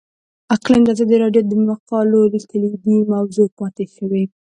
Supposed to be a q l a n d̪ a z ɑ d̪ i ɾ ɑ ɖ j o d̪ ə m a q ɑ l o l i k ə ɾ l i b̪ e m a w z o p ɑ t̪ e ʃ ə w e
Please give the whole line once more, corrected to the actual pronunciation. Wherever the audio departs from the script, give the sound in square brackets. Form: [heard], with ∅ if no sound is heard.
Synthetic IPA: a q l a n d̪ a z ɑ d̪ i ɾ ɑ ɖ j o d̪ ə m a q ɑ l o l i k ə [∅] l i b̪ [i] m a w z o p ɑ t̪ e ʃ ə w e